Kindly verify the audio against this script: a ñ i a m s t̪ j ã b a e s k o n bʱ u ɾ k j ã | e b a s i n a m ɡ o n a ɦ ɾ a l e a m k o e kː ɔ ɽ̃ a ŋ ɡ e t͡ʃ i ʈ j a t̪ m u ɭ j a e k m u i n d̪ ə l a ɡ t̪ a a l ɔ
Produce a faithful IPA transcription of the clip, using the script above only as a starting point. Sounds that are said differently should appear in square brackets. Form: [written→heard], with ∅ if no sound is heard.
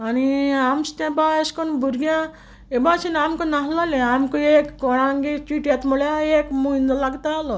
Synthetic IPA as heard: a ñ i a m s t̪ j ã b a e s k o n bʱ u ɾ [k→ɡ] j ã | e b a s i n a m [ɡ→k] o n a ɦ [ɾ→l] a l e a m k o e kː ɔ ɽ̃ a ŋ ɡ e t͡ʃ i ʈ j a t̪ m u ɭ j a e k m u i n d̪ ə l a ɡ t̪ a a l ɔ